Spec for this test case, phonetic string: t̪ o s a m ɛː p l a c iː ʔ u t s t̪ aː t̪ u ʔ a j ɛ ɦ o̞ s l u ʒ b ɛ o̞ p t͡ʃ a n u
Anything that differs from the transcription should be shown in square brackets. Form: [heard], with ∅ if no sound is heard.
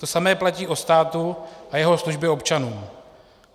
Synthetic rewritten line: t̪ o s a m ɛː p l a c iː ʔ [o] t s t̪ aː t̪ u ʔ a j ɛ ɦ o̞ s l u ʒ b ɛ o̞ p t͡ʃ a n [uː]